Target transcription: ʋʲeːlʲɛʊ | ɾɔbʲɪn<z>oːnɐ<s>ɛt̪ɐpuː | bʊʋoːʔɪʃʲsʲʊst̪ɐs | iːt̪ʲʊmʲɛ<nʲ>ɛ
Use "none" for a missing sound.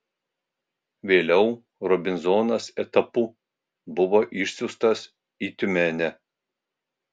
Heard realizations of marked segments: z, s, nʲ

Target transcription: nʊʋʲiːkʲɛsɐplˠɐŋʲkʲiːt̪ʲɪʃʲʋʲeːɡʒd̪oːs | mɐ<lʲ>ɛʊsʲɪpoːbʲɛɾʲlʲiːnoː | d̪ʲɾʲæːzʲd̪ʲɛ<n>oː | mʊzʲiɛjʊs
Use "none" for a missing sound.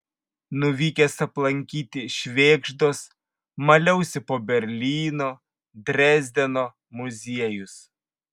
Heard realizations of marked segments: lʲ, n

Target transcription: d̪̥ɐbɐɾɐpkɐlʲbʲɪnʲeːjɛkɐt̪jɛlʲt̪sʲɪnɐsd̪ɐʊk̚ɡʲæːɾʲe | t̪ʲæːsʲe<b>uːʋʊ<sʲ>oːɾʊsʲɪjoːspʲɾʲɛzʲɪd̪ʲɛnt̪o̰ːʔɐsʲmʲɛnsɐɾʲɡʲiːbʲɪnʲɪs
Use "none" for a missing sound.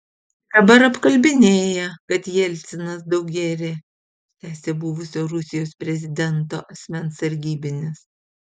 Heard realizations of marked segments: b, sʲ

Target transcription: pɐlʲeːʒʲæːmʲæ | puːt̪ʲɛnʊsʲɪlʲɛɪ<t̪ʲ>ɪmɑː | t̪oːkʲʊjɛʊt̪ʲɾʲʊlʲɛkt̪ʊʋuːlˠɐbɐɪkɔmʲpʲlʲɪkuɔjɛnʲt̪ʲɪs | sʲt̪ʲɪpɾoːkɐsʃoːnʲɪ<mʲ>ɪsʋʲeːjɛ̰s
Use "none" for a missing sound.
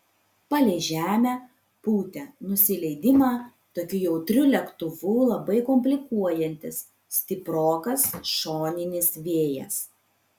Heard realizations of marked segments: d̪ʲ, nʲ

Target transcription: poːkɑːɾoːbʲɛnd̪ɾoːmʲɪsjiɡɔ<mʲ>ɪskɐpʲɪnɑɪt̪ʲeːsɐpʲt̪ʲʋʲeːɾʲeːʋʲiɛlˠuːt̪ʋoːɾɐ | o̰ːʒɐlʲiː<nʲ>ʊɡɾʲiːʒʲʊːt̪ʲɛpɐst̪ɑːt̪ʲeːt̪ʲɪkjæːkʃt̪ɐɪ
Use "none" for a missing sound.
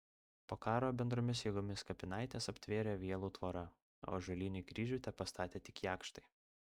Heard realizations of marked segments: mʲ, nʲ

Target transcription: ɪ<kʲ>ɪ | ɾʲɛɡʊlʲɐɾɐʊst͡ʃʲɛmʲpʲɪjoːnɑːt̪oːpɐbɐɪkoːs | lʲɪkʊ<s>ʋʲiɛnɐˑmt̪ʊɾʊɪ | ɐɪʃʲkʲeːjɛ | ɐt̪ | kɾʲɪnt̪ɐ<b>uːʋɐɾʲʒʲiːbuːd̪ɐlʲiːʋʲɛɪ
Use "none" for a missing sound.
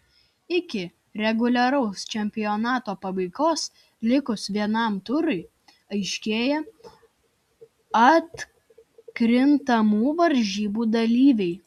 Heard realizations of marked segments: kʲ, s, m

